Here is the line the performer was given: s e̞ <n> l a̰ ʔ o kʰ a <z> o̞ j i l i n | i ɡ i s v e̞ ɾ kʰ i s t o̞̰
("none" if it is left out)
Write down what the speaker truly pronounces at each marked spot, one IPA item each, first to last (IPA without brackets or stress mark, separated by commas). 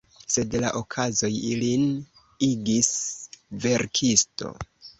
d, z